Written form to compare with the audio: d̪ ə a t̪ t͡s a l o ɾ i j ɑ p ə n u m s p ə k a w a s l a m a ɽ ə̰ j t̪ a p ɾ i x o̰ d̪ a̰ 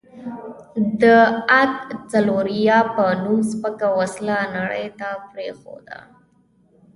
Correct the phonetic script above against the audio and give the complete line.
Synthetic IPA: d̪ ə a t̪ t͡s a l o ɾ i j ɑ p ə n u m s p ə k a w a s l a n a ɽ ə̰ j t̪ a p ɾ e x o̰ d̪ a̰